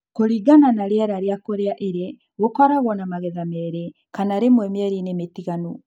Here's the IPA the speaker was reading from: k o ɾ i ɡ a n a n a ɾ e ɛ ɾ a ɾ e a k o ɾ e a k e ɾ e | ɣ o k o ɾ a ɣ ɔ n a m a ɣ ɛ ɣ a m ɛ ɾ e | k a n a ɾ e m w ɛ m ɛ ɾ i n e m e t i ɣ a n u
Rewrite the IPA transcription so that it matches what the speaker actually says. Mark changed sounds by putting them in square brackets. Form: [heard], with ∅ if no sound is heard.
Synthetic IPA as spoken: k o ɾ i ɡ a n a n a ɾ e ɛ ɾ a ɾ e a k o ɾ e a [ʔ] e ɾ e | ɣ o k [ɔ] ɾ a ɣ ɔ n a m a ɣ ɛ [ð] a m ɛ ɾ e | k a n a ɾ e m w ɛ m ɛ ɾ i n e m e t i ɣ a n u